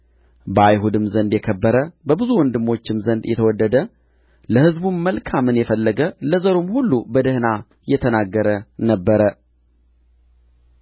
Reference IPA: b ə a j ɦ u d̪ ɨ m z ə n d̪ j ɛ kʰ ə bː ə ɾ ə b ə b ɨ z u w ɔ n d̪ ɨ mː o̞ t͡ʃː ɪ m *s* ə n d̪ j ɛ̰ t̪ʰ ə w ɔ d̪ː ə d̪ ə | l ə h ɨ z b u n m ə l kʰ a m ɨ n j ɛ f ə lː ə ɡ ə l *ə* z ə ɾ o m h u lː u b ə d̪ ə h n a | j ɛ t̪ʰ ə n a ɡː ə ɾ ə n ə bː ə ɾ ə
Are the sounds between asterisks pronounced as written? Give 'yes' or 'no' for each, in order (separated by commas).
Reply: no, yes